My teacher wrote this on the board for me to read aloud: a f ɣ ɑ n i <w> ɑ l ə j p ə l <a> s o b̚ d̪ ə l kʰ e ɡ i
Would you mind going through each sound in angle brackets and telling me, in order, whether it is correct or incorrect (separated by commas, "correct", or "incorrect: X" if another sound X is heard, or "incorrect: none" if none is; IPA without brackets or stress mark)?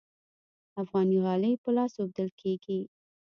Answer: incorrect: ɣ, incorrect: ɑ